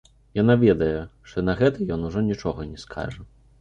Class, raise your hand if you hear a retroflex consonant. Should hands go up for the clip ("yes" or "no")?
yes